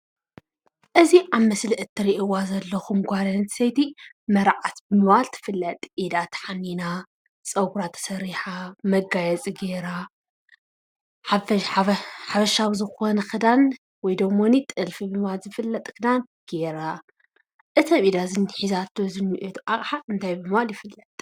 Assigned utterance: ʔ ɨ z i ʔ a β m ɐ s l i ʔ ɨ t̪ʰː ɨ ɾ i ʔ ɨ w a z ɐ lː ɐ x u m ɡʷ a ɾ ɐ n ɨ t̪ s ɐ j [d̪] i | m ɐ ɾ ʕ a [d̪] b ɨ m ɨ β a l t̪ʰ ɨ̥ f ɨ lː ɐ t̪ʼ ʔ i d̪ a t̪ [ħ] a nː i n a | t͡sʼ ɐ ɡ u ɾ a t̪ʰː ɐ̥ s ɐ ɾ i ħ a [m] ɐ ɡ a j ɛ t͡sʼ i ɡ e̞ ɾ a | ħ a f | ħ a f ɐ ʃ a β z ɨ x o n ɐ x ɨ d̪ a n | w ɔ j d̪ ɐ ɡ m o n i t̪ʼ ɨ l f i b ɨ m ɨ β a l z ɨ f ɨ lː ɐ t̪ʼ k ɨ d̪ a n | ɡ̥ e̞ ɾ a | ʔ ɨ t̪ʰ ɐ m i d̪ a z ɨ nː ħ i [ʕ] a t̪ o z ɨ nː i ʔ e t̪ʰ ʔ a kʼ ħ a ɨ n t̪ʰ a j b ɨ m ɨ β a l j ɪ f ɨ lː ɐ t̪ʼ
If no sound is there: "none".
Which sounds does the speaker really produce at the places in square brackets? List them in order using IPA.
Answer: t̪, t̪, ħ, m, z

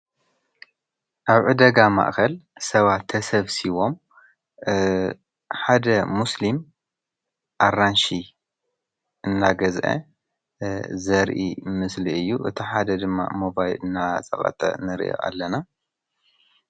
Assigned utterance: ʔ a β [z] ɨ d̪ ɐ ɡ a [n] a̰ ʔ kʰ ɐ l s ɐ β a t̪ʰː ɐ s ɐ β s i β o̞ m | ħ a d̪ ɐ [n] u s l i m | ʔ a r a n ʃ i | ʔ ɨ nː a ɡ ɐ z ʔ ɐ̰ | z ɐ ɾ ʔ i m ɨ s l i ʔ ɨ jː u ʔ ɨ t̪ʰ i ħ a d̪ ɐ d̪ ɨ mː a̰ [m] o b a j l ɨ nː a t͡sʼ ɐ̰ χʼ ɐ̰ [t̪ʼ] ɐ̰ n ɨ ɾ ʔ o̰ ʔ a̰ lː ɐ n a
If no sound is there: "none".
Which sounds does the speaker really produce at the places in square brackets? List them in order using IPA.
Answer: ʕ, m, m, m, t̪ʼ

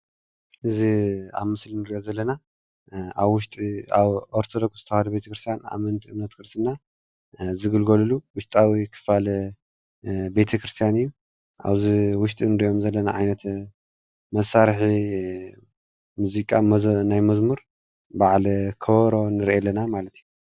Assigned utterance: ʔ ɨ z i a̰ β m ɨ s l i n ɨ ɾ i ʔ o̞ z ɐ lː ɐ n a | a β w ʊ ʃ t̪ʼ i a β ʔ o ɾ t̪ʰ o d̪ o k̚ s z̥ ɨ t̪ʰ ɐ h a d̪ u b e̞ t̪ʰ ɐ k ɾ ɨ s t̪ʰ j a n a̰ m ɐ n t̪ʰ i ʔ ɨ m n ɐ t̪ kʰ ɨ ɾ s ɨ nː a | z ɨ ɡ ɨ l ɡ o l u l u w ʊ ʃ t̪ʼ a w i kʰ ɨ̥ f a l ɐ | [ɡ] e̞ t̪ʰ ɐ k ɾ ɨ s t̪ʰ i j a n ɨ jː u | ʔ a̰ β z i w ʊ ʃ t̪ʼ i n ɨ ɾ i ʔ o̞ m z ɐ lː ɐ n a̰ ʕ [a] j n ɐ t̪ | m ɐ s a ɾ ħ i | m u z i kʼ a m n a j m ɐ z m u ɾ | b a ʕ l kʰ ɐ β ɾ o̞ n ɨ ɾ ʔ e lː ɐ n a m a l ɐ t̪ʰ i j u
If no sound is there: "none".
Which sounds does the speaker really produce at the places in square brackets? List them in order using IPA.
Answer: b, a

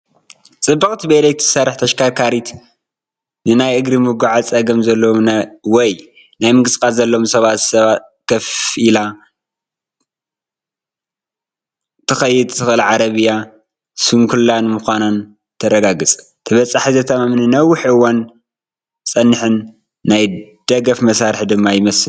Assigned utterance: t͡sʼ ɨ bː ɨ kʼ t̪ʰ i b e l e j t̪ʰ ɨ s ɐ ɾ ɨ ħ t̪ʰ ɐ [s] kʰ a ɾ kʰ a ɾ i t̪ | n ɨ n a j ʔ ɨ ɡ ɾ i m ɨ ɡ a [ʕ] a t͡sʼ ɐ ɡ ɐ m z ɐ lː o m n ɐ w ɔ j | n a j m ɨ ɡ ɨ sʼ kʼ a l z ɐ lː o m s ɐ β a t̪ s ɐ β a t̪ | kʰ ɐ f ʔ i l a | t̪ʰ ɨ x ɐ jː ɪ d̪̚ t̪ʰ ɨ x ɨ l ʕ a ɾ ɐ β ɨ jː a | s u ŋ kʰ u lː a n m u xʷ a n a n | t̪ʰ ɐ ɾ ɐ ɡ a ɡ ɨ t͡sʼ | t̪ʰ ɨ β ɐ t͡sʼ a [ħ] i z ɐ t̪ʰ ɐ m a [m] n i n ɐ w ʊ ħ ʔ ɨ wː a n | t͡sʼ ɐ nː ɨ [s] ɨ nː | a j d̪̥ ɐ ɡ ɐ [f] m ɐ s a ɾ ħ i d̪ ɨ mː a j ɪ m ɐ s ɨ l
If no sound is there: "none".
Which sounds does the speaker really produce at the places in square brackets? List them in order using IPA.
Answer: ʃ, ʕ, ħ, m, ħ, f

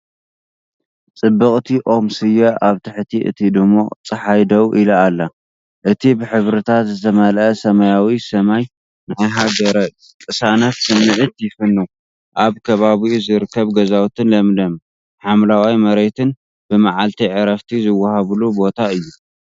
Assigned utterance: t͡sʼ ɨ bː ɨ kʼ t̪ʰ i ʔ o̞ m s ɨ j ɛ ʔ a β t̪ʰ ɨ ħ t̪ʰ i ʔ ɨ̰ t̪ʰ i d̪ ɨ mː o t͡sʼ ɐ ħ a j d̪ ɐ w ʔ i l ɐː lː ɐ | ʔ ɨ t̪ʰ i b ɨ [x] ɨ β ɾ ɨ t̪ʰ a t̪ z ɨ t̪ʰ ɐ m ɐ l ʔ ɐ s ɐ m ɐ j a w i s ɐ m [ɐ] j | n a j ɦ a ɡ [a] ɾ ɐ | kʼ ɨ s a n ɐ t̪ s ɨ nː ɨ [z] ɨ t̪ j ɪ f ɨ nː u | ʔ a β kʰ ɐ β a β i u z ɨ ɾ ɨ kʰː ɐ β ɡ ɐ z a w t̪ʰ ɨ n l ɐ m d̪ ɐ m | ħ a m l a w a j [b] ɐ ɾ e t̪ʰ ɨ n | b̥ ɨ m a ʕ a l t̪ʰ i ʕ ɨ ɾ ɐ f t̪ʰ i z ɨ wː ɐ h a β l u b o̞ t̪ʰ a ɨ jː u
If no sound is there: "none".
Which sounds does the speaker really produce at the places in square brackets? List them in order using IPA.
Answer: ħ, a, ɐ, ʕ, m

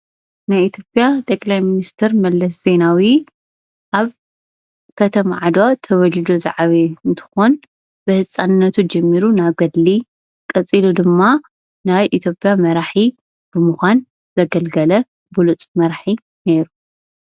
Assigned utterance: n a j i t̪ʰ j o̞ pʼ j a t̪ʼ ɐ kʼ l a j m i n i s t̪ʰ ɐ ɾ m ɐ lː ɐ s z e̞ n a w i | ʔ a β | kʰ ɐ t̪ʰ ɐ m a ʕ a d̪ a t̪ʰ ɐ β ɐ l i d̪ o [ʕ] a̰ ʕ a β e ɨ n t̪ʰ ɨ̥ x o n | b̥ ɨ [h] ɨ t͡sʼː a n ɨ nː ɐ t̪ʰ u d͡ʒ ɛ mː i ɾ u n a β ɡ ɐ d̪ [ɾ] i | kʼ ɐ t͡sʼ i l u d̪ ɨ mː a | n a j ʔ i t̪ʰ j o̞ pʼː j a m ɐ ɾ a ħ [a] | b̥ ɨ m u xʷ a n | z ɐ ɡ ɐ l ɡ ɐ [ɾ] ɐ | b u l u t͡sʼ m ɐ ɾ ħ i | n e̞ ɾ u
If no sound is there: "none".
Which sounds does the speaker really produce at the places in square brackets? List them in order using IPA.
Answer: z, h, l, i, l

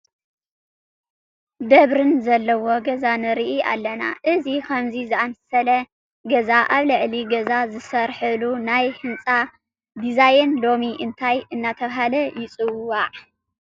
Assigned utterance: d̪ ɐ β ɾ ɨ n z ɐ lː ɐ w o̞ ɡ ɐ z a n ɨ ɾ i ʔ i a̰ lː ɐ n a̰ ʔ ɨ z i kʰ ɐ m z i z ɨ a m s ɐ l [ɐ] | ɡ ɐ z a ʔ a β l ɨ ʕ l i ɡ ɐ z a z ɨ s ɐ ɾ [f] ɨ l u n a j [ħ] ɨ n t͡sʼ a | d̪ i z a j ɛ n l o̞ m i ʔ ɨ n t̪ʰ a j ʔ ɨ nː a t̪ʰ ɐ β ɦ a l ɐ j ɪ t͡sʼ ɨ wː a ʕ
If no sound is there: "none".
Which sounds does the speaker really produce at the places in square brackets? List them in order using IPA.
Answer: ɐ, ħ, h

